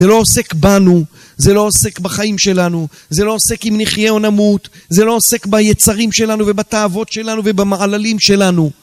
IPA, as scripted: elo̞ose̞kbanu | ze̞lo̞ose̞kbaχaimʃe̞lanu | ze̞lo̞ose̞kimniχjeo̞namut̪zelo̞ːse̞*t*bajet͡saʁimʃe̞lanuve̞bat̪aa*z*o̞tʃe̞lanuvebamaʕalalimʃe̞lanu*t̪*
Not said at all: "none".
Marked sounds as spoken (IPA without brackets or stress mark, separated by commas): k, v, none